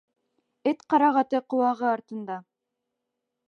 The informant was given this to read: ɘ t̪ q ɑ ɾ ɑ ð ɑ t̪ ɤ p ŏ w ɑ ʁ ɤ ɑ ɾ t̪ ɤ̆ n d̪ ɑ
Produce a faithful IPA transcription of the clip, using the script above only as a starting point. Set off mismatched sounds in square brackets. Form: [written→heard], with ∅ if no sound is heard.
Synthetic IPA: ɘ t̪ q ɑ ɾ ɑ [ð→ʁ] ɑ t̪ ɤ [p→q] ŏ w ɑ ʁ ɤ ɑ ɾ t̪ ɤ̆ n d̪ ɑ